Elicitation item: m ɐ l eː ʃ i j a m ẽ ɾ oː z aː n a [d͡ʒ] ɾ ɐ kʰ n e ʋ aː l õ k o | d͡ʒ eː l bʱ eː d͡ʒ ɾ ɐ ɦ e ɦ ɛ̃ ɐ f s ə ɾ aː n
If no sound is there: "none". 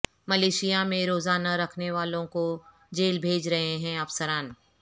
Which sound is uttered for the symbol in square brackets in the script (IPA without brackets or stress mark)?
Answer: none